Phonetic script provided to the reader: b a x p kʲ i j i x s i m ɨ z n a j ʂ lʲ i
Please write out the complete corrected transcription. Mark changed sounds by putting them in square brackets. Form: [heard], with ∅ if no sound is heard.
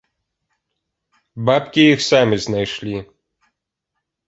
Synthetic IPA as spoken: b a [∅] p kʲ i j i x s [a] m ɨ z n a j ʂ lʲ i